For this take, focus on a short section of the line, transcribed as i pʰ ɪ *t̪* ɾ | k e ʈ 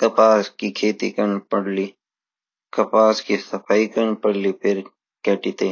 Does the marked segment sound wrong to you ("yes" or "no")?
yes